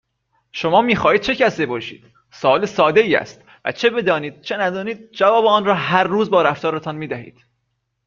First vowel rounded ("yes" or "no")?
yes